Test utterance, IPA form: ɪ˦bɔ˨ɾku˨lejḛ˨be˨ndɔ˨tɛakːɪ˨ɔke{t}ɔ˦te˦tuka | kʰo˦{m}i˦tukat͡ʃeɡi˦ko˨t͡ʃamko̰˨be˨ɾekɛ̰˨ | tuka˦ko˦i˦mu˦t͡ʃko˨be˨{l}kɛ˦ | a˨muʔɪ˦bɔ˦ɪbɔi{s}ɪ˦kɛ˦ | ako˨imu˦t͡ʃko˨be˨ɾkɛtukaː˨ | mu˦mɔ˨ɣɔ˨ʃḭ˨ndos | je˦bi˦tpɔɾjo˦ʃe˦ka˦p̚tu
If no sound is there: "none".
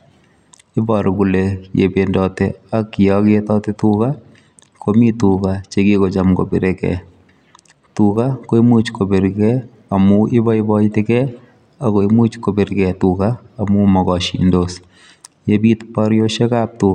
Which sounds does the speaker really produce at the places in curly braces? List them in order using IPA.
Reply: t, m, ɾ, t

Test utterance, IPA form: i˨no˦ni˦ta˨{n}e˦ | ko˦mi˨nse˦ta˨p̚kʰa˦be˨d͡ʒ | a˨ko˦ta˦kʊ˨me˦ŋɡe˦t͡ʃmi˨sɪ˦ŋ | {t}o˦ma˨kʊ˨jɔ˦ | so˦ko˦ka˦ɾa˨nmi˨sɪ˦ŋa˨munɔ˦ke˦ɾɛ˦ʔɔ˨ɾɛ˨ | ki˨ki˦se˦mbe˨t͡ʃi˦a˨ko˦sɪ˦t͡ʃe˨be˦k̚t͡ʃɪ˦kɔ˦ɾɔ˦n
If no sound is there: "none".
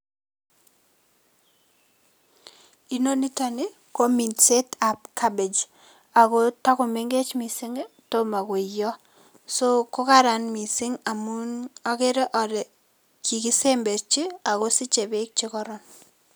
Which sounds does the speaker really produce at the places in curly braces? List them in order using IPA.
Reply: n, t

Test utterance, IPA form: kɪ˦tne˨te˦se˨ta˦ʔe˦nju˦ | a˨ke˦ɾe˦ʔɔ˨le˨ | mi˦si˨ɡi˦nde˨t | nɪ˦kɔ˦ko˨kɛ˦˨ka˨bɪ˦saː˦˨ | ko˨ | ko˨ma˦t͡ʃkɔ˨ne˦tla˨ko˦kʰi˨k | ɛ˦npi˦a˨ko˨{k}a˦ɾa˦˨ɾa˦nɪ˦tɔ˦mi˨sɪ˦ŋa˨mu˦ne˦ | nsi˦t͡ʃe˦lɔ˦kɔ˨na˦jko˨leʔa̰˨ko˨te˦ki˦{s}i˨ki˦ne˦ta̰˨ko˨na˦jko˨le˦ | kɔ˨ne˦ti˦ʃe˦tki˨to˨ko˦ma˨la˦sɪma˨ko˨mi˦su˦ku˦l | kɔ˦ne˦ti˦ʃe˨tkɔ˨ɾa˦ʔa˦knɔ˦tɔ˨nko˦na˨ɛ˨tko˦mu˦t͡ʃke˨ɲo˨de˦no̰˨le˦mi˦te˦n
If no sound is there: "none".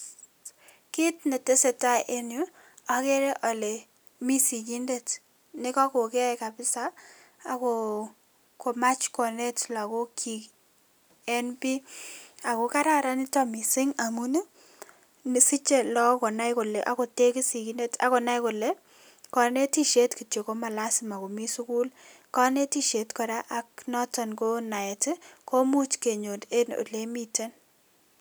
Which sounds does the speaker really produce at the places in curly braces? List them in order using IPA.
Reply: k, s

